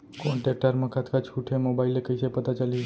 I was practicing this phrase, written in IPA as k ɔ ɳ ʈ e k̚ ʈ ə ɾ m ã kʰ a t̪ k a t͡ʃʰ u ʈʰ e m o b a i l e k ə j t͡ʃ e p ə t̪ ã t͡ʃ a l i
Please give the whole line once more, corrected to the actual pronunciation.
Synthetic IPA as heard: k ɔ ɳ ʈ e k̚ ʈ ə ɾ m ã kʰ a t̪ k a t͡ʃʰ u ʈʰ e m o b a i l e k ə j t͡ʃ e p ə t̪ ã t͡ʃ a l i